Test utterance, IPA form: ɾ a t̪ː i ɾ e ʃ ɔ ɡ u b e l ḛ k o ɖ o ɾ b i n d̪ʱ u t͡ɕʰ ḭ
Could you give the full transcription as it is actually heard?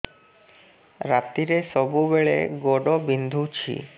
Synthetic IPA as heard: ɾ a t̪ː i ɾ e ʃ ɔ b u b e ɭ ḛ ɡ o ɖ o b i n d̪ʱ u t͡ɕʰ ḭ